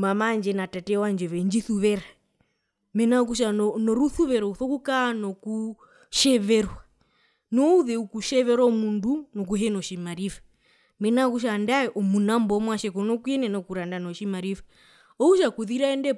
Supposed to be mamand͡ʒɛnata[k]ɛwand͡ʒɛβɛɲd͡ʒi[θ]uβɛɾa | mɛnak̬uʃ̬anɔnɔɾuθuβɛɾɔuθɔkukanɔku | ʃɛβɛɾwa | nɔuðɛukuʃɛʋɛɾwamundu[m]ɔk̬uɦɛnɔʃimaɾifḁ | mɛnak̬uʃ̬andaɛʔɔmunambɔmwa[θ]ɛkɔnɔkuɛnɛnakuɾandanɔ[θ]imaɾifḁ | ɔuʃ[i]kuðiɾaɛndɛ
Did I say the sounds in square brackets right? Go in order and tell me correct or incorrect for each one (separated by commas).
incorrect, correct, incorrect, incorrect, incorrect, incorrect